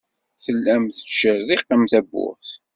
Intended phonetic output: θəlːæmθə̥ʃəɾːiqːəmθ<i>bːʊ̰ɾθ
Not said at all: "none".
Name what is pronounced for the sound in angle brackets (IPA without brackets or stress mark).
æ